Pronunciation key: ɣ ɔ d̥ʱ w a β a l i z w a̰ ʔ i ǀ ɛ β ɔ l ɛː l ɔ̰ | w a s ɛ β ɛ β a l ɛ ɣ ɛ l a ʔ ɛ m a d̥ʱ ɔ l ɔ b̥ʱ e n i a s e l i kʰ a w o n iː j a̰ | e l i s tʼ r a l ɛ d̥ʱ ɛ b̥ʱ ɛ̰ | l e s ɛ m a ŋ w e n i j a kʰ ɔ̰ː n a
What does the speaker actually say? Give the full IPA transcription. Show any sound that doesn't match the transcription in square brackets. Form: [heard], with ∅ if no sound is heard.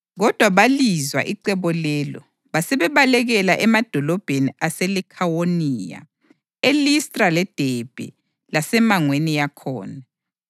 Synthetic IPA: ɣ ɔ d̥ʱ w a β a l i z w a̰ ʔ i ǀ ɛ β ɔ l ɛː l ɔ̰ | [β] a s ɛ β ɛ β a l ɛ ɣ ɛ l a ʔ ɛ m a d̥ʱ ɔ l ɔ b̥ʱ e n i a s e l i kʰ a w o n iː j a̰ | e l i s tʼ r a l ɛ d̥ʱ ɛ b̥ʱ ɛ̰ | l [a] s ɛ m a ŋ w e n i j a kʰ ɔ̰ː n a